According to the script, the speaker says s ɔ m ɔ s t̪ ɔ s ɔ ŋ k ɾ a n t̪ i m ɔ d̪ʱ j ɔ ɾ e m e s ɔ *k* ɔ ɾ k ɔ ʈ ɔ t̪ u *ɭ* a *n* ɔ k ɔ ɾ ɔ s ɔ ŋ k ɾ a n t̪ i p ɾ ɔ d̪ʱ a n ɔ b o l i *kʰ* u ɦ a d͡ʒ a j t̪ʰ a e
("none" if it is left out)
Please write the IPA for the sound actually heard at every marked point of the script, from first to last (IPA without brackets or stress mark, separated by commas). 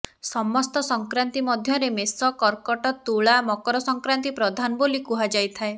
k, ɭ, m, k